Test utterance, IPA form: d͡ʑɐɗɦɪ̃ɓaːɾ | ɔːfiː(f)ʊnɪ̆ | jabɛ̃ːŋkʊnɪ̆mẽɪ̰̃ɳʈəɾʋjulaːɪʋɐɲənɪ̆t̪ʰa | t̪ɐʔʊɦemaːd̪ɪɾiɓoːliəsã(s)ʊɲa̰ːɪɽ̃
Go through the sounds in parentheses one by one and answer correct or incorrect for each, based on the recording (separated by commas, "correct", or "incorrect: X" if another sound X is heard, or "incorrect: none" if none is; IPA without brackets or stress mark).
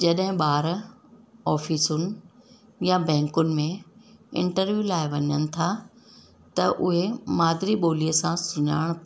incorrect: s, correct